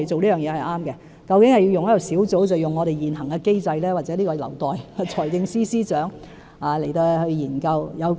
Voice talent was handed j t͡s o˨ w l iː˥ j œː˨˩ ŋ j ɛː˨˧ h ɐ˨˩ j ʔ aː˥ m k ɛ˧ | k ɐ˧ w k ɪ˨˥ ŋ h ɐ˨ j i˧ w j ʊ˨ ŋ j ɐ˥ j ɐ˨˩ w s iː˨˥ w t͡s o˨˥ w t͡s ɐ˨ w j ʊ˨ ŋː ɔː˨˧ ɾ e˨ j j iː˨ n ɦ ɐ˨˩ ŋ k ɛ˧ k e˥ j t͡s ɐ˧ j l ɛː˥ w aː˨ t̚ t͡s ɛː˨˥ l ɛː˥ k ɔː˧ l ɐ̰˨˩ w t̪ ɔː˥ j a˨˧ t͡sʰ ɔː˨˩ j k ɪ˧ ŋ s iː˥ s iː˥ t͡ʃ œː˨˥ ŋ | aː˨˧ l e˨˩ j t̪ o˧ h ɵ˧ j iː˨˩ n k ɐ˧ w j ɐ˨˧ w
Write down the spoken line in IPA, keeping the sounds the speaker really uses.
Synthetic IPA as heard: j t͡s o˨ w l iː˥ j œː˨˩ ŋ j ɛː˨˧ h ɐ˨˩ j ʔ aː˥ m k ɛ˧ | k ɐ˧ w k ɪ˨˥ ŋ h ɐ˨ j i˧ w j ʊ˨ ŋ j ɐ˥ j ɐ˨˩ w s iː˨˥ w t͡s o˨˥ w t͡s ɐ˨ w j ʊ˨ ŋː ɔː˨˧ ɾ e˨ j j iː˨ n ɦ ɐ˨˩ ŋ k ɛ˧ k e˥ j t͡s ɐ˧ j l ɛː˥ w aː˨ t̚ t͡s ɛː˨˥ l iː˥ k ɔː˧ l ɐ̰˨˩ w t̪ ɔː˨ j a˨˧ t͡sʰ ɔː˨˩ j k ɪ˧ ŋ s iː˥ s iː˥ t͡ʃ œː˨˥ ŋ | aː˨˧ l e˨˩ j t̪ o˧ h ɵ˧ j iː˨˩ n k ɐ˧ w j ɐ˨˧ w